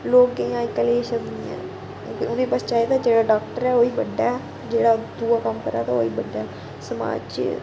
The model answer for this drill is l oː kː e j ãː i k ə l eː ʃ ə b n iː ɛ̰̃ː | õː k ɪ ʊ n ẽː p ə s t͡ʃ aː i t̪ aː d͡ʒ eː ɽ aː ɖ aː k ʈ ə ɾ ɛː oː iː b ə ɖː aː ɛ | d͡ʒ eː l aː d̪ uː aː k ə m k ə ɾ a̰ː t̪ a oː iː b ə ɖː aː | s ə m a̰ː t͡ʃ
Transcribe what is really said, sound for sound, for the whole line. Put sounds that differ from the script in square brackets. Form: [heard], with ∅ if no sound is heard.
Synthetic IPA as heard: l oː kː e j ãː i k ə l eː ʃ ə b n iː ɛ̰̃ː | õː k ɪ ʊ n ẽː p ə s t͡ʃ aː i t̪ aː d͡ʒ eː ɽ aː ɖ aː k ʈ ə ɾ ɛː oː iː b ə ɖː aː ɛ | d͡ʒ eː [ɽ] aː d̪ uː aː k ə m k ə ɾ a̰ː t̪ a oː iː b ə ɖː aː | s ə m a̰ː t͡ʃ